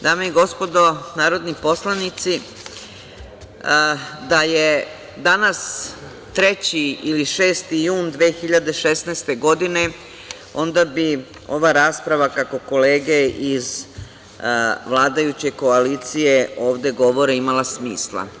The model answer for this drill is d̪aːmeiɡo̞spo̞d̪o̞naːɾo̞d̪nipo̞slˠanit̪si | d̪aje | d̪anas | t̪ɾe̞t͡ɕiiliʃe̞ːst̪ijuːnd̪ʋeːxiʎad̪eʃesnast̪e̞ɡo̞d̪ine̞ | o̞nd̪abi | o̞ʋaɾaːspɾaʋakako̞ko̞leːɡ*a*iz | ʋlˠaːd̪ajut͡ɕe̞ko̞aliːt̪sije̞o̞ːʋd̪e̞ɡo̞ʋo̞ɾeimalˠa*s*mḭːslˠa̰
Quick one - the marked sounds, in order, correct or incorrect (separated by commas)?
incorrect, correct